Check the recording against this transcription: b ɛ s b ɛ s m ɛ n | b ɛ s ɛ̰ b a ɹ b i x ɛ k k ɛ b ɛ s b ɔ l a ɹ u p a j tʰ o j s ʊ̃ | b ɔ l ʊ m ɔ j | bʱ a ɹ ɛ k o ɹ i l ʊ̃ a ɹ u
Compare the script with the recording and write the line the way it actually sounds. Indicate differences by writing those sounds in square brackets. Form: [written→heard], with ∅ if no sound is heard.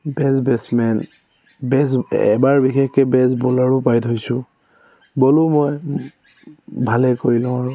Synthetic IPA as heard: b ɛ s b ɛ s m ɛ n | b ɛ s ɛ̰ b a ɹ b i x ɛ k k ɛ b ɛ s b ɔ l a ɹ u p a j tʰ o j s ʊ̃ | b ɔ l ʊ m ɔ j | bʱ a [ɹ→l] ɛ k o ɹ i l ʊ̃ a ɹ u